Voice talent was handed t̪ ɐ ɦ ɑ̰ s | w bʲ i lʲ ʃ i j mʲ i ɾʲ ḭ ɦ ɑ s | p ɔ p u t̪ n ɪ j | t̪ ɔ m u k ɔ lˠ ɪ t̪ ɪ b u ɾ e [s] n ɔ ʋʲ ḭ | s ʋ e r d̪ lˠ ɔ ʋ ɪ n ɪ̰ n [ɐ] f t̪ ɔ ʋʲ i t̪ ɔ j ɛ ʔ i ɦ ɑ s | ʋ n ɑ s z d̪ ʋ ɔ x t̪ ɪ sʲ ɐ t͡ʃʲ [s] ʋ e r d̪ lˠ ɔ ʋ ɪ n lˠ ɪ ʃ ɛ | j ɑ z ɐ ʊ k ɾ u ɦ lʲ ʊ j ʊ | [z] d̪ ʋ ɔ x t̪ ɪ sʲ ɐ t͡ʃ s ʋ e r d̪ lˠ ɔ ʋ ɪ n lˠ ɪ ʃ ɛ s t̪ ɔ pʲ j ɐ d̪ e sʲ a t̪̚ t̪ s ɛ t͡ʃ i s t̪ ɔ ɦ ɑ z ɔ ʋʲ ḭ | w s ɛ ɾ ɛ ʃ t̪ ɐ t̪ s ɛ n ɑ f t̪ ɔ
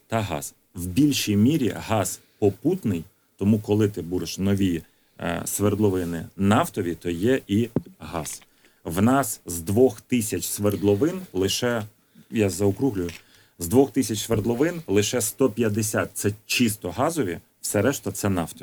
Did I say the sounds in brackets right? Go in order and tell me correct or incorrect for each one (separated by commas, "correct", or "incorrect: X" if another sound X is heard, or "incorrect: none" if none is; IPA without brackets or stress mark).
incorrect: ʃ, incorrect: ɑ, correct, correct